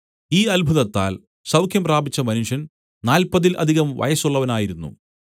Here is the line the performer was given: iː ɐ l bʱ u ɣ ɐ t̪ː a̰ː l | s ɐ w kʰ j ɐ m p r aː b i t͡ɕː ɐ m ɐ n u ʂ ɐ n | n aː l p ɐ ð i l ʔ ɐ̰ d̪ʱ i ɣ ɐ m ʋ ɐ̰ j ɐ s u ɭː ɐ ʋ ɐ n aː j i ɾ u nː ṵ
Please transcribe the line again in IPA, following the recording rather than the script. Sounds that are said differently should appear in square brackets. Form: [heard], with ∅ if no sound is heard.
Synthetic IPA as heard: iː ɐ l bʱ u [ð] ɐ t̪ː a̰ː l | s ɐ w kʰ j ɐ m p r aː b i t͡ɕː ɐ m ɐ n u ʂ ɐ n | n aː l p ɐ ð i l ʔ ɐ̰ d̪ʱ i ɣ ɐ m ʋ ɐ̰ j ɐ s u ɭː ɐ ʋ ɐ n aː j i ɾ u nː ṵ